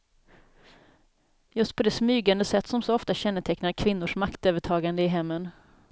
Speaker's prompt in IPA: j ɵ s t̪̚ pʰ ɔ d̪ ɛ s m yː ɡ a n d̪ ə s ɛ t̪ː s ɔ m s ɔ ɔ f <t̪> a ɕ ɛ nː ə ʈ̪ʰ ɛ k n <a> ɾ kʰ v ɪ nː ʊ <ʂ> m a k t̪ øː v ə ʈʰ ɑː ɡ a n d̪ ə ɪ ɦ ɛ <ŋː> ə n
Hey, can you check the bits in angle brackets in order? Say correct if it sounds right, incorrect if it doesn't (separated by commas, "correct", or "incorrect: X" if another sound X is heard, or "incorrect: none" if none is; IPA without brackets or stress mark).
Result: correct, correct, correct, incorrect: mː